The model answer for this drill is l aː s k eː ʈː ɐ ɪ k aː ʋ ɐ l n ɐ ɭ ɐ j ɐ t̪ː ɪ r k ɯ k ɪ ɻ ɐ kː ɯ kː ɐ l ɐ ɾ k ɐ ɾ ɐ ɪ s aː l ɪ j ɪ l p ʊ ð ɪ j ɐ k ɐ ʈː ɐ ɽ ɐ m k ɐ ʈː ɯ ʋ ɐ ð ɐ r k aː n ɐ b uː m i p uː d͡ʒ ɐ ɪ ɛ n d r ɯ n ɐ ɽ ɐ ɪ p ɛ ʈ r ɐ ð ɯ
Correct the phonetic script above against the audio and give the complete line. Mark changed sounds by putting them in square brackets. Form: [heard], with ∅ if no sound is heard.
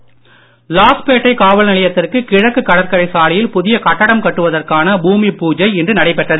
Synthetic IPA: l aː s [p] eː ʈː ɐ ɪ k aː ʋ ɐ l n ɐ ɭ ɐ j ɐ t̪ː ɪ r k ɯ k ɪ ɻ ɐ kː ɯ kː ɐ [ɽ] ɐ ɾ k ɐ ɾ ɐ ɪ s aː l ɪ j ɪ l p ʊ ð ɪ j ɐ k ɐ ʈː ɐ ɽ ɐ m k ɐ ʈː ɯ ʋ ɐ ð ɐ r k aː n ɐ b uː m i p uː d͡ʒ ɐ ɪ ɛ n d r ɯ n ɐ ɽ ɐ ɪ p ɛ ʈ r ɐ ð ɯ